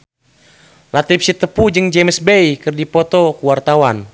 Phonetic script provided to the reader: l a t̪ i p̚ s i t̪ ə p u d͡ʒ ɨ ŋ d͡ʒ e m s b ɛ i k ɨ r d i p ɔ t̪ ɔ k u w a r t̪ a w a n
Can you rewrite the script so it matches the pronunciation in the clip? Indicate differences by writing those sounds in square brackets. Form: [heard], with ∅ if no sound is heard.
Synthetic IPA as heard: l a t̪ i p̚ s i t̪ ə p u d͡ʒ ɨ ŋ d͡ʒ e m s b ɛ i k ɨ r d i p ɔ t̪ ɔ k u w a r t̪ a w a n